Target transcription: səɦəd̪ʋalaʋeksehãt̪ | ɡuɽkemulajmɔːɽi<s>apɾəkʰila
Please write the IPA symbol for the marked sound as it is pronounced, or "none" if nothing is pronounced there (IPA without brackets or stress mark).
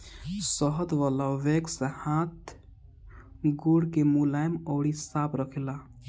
s